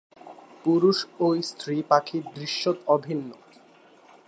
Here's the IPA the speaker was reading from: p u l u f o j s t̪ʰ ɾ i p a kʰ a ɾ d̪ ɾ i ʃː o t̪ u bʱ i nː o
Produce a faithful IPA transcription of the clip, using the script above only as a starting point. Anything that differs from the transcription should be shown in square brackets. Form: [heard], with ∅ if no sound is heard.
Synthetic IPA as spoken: p u [ɾ] u [ʃ] o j s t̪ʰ ɾ i p a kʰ [i] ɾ d̪ ɾ i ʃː o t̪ [ɔ] bʱ i nː o